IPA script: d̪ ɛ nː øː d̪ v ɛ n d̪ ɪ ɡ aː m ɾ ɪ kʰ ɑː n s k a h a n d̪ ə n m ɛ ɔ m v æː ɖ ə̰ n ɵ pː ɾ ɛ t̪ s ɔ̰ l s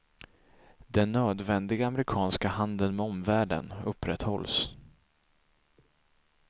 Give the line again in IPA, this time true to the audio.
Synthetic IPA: d̪ ɛ nː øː d̪ v ɛ n d̪ ɪ ɡ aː m ɾ ɪ kʰ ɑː n s k a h a n d̪ ə n m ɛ ɔ m v æː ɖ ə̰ n ɵ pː ɾ ɛ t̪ h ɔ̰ l s